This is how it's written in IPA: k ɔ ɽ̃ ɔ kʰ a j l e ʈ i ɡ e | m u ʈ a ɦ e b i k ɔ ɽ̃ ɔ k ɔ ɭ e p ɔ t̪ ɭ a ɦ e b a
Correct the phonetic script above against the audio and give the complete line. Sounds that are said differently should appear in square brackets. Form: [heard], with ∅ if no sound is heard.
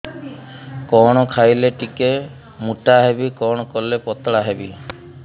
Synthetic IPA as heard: k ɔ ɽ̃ ɔ kʰ a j l e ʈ i [k] e | m u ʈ a ɦ e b i k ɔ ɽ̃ ɔ k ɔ [l] e p ɔ t̪ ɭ a ɦ e b [i]